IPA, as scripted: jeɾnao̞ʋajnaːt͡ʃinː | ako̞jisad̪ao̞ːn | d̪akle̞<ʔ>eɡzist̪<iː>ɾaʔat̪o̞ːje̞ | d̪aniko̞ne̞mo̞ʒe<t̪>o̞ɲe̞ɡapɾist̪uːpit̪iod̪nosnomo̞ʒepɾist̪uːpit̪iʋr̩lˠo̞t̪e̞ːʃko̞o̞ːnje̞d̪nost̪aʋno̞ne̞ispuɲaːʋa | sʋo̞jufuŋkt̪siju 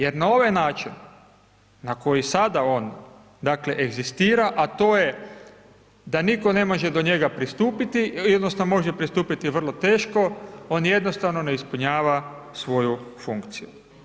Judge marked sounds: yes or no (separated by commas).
yes, yes, no